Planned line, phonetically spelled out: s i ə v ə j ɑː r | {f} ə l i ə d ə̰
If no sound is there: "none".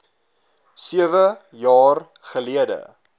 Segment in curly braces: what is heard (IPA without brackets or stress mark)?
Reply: χ